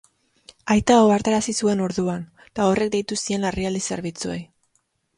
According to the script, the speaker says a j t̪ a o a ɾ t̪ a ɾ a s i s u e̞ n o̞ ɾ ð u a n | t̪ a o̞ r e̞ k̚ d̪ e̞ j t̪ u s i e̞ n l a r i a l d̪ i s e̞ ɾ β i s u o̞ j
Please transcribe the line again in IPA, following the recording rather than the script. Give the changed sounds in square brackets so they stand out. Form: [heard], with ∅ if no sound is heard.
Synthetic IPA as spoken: a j t̪ a o a ɾ t̪ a ɾ a s i s u e̞ n o̞ ɾ ð u a n | t̪ a o̞ r e̞ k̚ d̪ e̞ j t̪ u s i e̞ n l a r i a l d̪ i s e̞ ɾ β i [t͡s] u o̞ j